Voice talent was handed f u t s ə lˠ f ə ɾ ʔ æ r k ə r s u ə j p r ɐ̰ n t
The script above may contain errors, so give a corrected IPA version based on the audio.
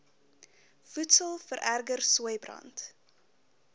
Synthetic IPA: f u t s ə lˠ f ə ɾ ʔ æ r ɡ ə r s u ə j b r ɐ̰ n t